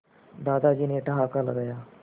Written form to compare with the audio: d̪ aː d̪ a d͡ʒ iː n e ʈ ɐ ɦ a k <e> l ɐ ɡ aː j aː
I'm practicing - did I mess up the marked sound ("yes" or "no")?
yes